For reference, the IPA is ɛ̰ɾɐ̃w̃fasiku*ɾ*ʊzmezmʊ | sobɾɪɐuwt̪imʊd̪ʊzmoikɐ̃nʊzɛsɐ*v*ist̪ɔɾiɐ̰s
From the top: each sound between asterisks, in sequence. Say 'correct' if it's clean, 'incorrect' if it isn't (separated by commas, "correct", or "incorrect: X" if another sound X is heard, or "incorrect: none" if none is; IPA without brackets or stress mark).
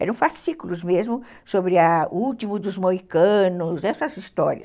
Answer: incorrect: l, incorrect: z